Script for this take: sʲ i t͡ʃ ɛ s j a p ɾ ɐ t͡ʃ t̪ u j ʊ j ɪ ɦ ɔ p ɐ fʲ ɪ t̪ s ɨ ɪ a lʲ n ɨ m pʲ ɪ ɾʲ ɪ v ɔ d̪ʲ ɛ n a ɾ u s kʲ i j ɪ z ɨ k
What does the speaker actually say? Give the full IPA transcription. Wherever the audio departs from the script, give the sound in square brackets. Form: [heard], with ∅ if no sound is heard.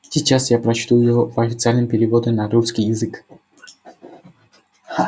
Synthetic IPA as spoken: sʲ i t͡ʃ [a] s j a p ɾ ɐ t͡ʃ t̪ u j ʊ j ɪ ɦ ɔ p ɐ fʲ ɪ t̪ s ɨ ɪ a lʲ n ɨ m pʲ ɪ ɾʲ ɪ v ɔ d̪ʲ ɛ n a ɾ u s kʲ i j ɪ z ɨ k